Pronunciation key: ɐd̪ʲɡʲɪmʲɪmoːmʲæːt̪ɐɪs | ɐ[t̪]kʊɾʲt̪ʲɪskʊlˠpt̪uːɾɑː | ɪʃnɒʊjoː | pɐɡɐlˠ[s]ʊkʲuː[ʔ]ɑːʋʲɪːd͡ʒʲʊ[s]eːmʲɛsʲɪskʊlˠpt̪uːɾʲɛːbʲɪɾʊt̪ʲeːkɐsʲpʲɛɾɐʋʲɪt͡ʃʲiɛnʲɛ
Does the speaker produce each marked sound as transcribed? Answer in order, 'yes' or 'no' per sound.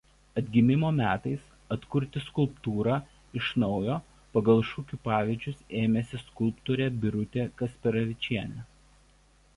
yes, no, no, yes

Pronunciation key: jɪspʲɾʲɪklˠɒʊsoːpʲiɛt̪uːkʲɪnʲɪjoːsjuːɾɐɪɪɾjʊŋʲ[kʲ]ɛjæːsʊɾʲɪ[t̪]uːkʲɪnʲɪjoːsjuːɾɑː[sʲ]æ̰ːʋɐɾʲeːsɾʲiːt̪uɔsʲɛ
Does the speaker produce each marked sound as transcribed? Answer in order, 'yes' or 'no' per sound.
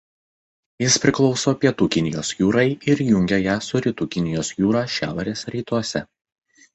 no, yes, no

